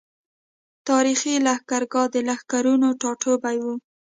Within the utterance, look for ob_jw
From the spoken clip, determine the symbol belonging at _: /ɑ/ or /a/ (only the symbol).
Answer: a